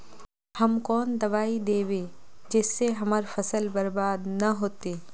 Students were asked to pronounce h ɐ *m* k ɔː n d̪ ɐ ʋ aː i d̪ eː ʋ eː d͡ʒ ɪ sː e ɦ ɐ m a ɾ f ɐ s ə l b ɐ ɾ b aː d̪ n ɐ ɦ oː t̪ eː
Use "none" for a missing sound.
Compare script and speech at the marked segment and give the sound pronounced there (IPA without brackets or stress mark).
m